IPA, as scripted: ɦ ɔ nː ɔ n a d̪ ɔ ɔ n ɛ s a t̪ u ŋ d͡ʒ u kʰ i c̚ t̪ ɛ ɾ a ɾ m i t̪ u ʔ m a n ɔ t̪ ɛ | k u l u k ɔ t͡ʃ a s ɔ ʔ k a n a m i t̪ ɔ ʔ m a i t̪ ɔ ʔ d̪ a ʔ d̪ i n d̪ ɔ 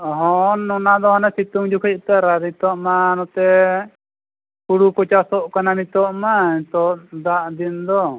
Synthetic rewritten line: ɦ ɔ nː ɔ n a d̪ ɔ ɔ n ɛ s i t̪ u ŋ d͡ʒ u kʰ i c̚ t̪ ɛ ɾ a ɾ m i t̪ ɔ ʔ m a n ɔ t̪ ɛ | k u ɽ u k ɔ t͡ʃ a s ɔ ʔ k a n a m i t̪ ɔ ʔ m a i t̪ ɔ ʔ d̪ a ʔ d̪ i n d̪ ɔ